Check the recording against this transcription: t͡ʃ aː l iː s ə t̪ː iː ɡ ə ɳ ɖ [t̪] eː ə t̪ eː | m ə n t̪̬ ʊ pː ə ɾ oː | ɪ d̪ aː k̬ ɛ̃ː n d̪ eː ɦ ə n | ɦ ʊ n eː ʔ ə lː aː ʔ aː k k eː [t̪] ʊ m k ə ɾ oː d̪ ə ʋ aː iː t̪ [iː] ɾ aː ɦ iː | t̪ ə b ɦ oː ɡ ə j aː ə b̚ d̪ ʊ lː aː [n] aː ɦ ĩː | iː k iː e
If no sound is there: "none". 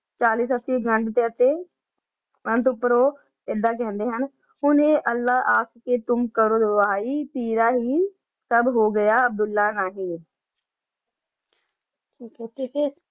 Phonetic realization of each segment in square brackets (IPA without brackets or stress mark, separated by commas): t̪, t̪, iː, n